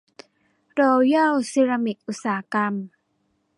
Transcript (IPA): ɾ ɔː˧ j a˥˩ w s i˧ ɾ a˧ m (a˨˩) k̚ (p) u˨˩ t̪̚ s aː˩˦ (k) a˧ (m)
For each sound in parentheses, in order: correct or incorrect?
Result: incorrect: i˨˩, incorrect: ʔ, correct, correct

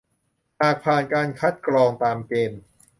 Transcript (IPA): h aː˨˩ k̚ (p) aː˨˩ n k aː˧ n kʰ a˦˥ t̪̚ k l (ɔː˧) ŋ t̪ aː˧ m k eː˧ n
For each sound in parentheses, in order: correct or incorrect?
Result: incorrect: pʰ, correct

